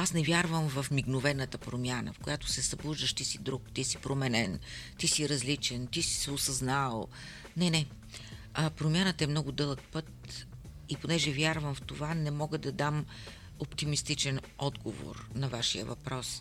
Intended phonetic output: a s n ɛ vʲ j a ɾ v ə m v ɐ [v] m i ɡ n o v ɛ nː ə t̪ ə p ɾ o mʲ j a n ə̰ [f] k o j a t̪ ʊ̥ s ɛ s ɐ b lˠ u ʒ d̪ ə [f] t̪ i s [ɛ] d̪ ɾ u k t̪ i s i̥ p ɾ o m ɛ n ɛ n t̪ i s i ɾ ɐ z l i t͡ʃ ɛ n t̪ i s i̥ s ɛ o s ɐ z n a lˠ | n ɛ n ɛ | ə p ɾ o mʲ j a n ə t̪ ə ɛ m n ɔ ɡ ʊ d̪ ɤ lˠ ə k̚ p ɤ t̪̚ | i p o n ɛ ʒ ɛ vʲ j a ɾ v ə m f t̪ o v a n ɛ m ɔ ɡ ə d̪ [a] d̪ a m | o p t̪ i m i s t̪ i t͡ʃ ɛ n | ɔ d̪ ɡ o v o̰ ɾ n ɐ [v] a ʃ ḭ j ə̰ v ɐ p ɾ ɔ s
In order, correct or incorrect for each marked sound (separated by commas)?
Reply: incorrect, correct, incorrect, incorrect, incorrect, correct